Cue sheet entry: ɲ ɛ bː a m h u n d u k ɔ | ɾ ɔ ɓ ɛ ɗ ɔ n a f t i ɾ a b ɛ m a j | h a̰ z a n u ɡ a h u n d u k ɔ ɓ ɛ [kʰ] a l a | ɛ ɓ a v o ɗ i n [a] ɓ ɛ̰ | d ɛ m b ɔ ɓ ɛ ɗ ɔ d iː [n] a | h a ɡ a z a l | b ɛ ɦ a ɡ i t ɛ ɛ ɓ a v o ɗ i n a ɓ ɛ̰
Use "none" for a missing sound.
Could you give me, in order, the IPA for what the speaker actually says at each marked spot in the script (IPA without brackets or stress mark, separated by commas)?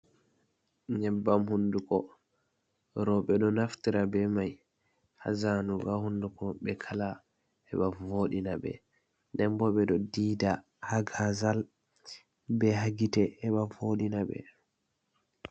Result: kʰ, a, d